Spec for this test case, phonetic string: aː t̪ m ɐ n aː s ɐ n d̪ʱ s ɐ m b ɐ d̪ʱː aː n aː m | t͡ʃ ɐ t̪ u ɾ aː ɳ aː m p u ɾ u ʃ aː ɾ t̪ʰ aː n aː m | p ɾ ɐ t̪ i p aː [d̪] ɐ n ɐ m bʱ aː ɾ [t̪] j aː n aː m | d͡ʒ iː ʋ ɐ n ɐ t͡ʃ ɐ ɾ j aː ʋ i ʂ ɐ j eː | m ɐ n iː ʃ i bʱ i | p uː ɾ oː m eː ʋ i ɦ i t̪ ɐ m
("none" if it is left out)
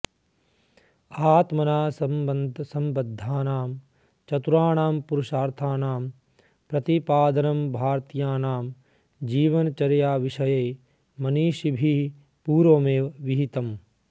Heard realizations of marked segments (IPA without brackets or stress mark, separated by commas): d̪, t̪